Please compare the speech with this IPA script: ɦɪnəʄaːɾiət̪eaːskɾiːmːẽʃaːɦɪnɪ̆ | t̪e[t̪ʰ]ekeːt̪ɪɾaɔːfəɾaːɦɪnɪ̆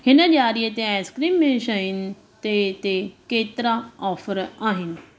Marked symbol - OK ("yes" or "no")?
no